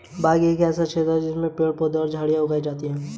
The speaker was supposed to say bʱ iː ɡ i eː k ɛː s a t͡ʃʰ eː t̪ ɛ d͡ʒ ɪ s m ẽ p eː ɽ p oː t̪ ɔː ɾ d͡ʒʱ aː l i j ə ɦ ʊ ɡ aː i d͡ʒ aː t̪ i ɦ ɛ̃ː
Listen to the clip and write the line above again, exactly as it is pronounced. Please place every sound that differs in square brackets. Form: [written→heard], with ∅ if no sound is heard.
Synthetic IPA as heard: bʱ [iː→aː] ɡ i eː k ɛː s a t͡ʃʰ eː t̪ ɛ d͡ʒ ɪ s m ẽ p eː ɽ p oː [t̪→d̪] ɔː ɾ d͡ʒʱ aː [l→ɽ] i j [ə→a] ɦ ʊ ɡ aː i d͡ʒ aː t̪ i ɦ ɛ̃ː